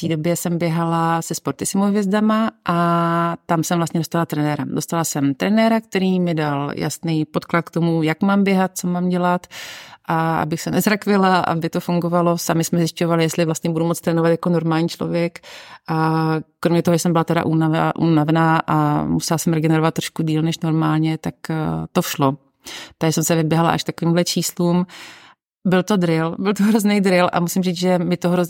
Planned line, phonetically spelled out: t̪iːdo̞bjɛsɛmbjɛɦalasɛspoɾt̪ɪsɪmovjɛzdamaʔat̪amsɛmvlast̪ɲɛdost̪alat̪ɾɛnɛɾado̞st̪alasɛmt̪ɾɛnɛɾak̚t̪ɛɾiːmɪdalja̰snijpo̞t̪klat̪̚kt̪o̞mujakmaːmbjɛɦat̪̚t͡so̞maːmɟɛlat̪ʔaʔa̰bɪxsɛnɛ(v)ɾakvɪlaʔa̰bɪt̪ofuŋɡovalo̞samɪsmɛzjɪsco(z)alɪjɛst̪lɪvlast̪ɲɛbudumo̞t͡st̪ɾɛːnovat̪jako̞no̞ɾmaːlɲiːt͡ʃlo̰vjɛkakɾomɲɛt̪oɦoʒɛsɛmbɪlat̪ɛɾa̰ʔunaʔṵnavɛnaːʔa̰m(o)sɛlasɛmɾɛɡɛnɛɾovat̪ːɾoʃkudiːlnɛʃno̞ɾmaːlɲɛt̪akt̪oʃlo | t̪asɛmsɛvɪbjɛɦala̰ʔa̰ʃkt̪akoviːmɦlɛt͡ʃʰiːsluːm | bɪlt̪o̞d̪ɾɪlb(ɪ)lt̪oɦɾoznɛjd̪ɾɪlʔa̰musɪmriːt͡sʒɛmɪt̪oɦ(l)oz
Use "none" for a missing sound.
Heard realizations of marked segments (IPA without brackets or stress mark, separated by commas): z, v, u, ɪ, ɾ